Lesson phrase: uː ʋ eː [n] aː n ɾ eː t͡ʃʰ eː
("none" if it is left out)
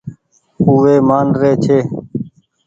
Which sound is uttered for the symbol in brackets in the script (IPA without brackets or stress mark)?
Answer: m